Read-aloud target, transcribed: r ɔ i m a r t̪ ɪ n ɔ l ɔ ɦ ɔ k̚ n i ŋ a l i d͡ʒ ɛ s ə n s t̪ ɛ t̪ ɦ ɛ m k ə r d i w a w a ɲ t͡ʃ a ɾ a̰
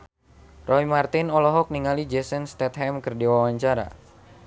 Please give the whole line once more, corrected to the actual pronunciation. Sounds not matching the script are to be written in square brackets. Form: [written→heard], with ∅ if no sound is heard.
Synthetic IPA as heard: r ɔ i m a r t̪ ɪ n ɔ l ɔ ɦ ɔ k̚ n i ŋ a l i d͡ʒ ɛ s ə n s t̪ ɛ t̪ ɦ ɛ m k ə r d i w a w a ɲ t͡ʃ a ɾ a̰